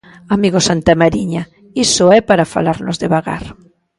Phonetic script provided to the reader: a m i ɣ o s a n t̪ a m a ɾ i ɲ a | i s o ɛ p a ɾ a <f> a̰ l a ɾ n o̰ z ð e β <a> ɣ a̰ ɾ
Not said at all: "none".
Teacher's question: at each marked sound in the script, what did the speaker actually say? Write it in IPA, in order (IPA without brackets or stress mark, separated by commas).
f, a